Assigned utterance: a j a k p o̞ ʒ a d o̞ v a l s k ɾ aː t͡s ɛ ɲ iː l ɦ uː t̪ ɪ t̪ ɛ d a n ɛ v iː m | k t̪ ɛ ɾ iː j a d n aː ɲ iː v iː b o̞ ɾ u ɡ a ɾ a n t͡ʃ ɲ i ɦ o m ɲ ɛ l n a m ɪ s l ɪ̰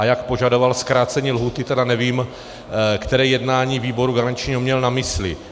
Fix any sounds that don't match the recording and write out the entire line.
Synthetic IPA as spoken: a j a k p o̞ ʒ a d o̞ v a l s k ɾ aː t͡s ɛ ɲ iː l ɦ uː t̪ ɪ t̪ ɛ d a n ɛ v iː m | k t̪ ɛ ɾ ɛː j ɛ d n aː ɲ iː v iː b o̞ ɾ u ɡ a ɾ a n t͡ʃ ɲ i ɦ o m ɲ ɛ l n a m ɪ s l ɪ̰